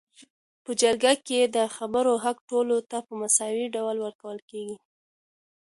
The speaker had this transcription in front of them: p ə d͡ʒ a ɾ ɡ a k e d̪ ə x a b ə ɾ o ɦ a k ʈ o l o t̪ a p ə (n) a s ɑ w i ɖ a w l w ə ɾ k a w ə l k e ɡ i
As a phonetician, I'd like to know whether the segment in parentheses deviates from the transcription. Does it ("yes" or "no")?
yes